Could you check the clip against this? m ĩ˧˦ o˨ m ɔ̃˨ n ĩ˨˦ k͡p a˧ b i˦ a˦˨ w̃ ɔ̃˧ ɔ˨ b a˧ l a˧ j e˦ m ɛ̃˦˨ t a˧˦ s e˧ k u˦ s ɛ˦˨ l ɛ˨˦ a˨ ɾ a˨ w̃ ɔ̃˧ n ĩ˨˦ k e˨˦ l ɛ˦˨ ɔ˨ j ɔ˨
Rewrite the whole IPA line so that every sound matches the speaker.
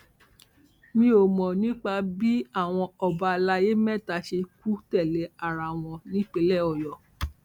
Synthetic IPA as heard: m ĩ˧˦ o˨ m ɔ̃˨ n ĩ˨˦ k͡p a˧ b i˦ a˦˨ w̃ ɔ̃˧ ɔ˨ b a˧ l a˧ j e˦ m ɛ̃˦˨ t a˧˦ ʃ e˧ k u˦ t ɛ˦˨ l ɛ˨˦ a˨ ɾ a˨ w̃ ɔ̃˧ n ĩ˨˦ k͡p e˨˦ l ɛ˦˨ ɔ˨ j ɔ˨